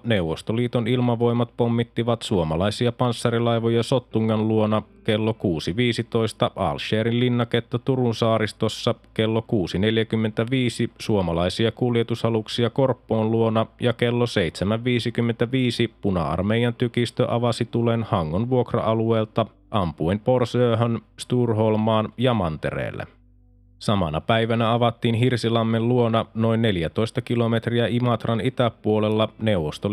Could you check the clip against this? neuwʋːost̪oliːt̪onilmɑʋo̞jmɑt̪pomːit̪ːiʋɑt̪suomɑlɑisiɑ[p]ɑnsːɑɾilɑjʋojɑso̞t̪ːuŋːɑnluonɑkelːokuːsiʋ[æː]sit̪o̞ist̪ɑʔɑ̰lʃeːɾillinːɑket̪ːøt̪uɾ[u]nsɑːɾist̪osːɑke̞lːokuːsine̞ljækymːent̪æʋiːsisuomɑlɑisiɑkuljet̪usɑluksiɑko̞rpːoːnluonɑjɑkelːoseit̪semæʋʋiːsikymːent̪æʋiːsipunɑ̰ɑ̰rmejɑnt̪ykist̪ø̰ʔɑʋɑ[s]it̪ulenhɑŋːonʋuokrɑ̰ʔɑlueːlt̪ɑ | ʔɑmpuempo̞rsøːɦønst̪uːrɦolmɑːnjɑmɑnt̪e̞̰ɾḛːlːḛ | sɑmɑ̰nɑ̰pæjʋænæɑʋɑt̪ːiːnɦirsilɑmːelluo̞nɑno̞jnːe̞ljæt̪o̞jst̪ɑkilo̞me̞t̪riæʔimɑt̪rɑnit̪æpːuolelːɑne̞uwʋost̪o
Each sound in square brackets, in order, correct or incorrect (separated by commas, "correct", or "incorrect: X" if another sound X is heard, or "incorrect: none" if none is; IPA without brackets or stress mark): correct, incorrect: iː, correct, correct